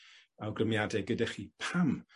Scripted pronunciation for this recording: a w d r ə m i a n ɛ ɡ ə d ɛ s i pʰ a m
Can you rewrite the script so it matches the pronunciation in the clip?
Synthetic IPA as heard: a w ɡ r ə m j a d ɛ ɡ ə d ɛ χ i pʰ a m